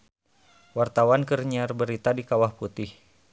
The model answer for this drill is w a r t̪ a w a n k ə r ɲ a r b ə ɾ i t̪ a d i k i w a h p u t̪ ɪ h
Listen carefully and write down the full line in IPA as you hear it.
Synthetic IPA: w a r t̪ a w a n k ə r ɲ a r b ə ɾ i t̪ a d i k a w a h p u t̪ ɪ h